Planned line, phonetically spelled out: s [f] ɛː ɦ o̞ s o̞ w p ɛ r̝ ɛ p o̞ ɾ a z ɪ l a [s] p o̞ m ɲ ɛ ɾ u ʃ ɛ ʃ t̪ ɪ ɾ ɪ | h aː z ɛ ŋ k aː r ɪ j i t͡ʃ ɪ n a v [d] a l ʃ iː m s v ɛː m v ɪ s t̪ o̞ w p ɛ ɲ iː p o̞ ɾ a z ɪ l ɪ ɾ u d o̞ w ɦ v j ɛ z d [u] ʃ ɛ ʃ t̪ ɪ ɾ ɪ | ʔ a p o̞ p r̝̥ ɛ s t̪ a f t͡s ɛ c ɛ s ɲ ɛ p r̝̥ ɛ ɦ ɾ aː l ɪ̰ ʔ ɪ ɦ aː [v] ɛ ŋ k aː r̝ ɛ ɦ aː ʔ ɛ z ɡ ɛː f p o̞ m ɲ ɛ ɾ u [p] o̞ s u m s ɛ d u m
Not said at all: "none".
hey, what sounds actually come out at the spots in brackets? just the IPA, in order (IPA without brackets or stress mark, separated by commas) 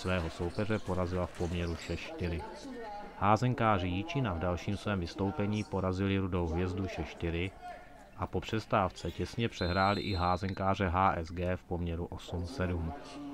v, f, d, u, z, ʔ